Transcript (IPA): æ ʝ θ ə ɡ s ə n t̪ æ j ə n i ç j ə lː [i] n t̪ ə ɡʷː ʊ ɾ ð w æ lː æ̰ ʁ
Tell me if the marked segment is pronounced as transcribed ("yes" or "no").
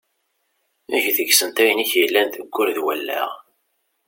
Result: no